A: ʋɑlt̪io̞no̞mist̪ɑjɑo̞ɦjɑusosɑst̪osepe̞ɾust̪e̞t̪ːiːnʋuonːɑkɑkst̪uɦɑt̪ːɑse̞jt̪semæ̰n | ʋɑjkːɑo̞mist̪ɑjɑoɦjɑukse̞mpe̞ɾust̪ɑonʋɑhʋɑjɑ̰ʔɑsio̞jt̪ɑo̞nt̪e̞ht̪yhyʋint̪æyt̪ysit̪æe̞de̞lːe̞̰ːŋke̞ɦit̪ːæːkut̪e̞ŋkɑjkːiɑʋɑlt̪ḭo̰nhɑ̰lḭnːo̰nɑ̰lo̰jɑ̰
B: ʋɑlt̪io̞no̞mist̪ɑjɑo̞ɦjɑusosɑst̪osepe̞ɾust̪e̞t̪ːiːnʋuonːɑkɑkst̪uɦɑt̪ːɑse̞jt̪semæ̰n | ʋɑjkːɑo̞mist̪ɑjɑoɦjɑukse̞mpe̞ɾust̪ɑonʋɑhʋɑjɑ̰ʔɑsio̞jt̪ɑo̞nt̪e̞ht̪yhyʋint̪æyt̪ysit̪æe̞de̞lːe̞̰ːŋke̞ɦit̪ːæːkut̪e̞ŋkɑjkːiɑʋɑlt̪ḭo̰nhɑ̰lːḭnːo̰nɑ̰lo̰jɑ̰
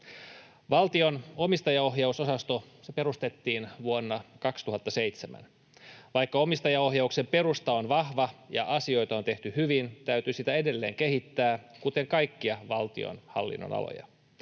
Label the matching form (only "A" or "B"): B